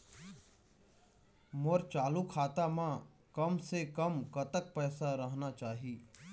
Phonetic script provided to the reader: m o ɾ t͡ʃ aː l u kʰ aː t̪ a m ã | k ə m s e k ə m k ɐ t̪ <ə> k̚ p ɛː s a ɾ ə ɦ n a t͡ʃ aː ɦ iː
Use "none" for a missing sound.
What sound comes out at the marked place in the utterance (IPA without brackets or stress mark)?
ə